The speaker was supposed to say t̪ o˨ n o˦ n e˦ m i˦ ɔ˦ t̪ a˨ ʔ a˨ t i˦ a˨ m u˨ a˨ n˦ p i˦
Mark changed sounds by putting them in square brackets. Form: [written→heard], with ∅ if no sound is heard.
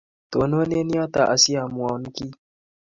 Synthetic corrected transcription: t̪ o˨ n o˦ n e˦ [m→n] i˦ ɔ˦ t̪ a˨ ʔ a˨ [t→s] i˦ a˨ m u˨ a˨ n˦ [p→k] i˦